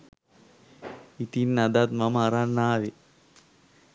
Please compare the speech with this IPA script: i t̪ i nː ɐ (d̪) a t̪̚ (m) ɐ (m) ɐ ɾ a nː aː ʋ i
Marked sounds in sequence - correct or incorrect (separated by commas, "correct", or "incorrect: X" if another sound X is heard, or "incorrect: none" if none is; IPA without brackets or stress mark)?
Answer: correct, correct, correct